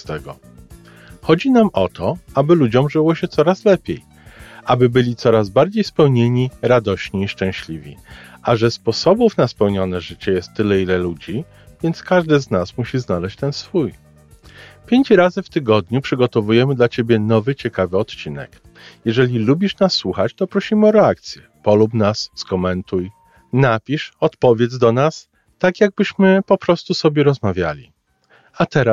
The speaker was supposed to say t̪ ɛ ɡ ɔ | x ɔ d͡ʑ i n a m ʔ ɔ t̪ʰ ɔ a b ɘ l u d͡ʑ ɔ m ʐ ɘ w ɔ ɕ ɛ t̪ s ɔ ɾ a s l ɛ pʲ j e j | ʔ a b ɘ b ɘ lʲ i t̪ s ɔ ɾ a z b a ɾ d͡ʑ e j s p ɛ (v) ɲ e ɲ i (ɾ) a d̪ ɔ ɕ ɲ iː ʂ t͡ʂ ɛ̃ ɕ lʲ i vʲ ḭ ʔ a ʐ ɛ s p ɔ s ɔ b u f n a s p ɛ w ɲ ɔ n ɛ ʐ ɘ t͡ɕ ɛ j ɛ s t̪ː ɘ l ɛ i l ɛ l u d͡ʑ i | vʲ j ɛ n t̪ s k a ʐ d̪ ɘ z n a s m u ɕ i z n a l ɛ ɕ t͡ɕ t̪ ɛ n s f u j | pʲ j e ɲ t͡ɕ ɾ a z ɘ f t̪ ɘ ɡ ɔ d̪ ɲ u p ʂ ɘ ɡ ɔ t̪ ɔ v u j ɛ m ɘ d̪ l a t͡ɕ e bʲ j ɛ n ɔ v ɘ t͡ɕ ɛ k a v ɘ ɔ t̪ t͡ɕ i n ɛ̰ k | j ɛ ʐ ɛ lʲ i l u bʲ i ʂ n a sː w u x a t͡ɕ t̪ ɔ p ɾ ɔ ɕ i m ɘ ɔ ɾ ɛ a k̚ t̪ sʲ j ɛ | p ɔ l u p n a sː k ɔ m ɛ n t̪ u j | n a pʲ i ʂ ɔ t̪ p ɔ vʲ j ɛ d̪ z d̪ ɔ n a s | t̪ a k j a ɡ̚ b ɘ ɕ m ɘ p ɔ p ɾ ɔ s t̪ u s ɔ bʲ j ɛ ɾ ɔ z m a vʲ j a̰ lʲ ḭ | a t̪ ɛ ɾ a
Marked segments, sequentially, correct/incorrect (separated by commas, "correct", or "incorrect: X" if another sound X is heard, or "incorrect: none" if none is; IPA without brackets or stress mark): incorrect: w, correct